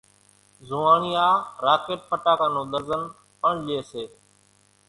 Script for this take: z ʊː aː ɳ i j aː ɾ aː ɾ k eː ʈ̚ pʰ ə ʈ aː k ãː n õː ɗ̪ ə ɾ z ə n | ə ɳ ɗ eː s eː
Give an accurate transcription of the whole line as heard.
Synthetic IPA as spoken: z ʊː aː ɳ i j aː ɾ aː k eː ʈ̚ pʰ ə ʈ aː k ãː n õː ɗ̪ ə ɾ z ə n | ə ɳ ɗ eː s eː